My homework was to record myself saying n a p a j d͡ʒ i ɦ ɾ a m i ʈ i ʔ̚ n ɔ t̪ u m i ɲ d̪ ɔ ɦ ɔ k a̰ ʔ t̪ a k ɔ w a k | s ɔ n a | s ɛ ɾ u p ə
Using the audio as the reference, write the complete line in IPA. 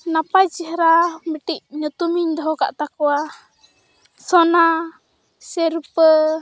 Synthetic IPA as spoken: n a p a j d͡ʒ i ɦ ɾ a m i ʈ i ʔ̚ ɲ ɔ t̪ u m i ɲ d̪ ɔ ɦ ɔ k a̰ ʔ t̪ a k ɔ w a | s ɔ n a | s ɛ ɾ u p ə